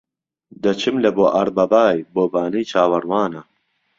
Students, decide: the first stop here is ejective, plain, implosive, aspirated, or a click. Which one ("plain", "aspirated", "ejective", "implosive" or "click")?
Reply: plain